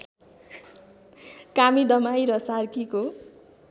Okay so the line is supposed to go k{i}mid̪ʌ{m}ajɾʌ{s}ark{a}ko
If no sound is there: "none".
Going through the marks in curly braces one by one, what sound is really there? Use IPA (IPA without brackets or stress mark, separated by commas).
a, m, s, i